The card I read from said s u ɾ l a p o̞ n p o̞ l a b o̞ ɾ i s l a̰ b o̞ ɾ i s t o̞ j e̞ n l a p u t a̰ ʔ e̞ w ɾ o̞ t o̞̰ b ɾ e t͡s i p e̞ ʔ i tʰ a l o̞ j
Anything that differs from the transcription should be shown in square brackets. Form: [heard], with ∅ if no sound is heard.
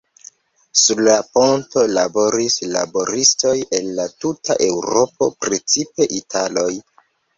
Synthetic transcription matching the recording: s u ɾ l a p o̞ n [t] o̞ l a b o̞ ɾ i s l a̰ b o̞ ɾ i s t o̞ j e̞ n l a [t] u t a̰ ʔ e̞ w ɾ o̞ [p] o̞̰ [p] ɾ e t͡s i p e̞ ʔ i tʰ a l o̞ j